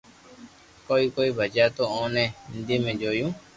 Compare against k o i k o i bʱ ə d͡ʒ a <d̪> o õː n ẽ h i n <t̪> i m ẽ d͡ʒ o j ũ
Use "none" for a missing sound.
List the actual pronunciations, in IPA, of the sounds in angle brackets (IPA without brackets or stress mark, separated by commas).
t̪, d̪